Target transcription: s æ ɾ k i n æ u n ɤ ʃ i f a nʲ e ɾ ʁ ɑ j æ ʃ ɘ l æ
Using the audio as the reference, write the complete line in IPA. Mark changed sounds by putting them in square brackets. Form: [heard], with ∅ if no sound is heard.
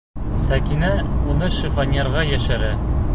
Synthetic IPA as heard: s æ [∅] k i n æ u n ɤ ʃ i f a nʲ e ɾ ʁ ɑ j æ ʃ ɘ [ɾ] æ